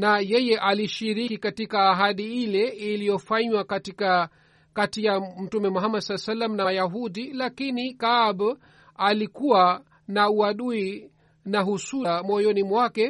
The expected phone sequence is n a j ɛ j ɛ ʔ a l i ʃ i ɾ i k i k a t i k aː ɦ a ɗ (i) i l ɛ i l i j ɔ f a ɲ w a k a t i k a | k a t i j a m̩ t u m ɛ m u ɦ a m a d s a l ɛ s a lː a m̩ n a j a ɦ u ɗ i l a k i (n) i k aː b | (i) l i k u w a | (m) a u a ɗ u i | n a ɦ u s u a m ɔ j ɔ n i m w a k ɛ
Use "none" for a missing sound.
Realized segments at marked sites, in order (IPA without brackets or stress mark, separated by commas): i, n, a, n